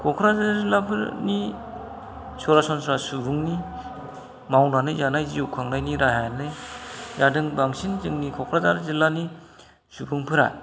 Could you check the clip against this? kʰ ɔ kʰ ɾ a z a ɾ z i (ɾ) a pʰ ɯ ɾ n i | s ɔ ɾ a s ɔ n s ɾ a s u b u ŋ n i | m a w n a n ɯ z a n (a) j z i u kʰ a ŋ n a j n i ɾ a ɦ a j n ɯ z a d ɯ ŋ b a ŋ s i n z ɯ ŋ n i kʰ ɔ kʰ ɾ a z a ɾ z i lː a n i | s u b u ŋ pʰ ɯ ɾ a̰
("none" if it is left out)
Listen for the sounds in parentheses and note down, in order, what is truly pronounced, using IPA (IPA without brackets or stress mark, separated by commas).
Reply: l, a